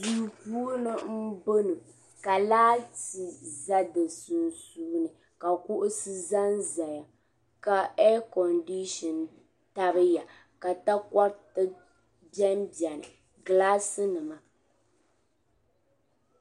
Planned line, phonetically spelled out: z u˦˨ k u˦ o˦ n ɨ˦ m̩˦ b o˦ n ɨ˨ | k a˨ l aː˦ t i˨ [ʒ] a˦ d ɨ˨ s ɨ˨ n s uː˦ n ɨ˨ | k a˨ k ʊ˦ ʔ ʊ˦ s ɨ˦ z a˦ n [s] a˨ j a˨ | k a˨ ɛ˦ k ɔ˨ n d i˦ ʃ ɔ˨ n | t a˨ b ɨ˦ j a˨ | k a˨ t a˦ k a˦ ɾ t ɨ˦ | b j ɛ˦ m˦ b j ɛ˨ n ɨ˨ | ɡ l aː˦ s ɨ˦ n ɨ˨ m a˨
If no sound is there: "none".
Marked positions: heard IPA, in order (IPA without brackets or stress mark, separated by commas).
z, z